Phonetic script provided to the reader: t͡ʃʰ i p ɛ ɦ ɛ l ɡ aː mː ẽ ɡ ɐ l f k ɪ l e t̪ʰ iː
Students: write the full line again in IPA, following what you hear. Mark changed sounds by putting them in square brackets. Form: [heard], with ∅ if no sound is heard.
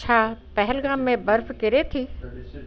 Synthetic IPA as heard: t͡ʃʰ [a] p ɛ ɦ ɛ l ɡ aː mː ẽ [b] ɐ [ɾ] f k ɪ [ɾ] e t̪ʰ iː